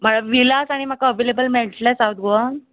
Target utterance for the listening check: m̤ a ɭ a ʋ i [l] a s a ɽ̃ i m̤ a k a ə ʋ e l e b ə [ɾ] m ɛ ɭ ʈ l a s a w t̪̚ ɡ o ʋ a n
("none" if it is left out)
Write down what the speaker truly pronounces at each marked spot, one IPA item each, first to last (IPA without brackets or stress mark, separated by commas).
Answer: l, l